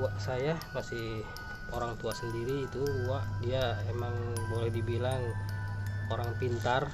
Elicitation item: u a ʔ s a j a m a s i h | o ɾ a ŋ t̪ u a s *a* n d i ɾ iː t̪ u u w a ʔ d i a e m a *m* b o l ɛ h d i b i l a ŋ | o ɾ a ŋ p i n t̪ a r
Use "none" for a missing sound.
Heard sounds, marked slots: ə, ŋ

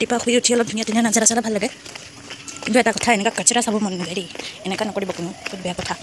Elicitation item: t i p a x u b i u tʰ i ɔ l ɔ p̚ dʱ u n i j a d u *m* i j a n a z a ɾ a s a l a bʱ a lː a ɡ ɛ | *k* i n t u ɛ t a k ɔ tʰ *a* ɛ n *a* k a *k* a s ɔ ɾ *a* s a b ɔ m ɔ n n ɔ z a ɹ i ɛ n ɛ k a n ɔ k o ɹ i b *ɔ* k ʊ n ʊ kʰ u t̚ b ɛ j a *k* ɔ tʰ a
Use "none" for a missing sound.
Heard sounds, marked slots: n, k, a, ɛ, k, a, ɔ, k

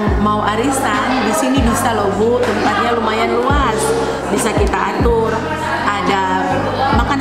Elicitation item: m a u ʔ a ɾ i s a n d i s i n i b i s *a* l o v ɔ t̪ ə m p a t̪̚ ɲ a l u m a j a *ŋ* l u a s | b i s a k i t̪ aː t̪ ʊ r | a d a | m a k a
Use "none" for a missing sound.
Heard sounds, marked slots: a, n

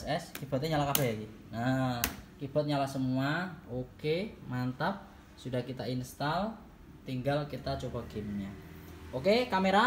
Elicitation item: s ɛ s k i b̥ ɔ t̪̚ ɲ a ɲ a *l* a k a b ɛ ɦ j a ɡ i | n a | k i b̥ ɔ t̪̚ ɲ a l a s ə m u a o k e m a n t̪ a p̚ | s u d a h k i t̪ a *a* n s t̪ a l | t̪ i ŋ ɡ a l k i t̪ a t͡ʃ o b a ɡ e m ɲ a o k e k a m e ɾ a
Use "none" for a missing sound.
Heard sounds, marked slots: l, i

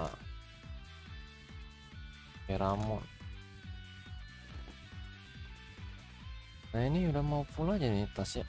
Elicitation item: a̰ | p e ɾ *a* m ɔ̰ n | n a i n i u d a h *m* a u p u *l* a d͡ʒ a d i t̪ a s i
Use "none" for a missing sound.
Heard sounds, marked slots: a, m, l

